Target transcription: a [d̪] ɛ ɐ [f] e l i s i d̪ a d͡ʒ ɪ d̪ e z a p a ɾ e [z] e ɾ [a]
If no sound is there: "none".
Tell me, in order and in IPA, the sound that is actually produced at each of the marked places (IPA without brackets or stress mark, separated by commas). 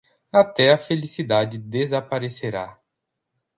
t̪, f, s, a